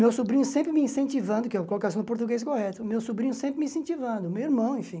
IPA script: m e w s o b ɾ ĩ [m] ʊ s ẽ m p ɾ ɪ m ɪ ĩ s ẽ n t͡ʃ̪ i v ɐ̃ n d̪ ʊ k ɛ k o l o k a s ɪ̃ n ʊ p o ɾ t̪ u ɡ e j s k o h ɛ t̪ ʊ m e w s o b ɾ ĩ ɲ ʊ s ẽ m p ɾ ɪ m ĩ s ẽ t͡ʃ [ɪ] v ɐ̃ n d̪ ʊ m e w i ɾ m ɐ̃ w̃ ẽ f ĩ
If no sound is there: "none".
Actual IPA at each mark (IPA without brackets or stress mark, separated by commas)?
ɲ, i